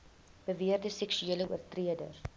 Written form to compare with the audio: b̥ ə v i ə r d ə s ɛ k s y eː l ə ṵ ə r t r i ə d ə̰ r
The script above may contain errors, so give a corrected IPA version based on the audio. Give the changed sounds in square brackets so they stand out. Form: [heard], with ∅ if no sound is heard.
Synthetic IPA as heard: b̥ ə v i ə r d ə s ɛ k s y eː l ə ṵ ə r t r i ə d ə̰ r